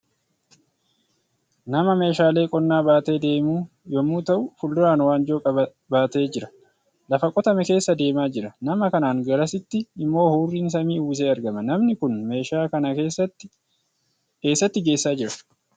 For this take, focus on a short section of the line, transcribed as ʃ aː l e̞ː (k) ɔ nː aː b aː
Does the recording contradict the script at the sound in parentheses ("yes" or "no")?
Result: yes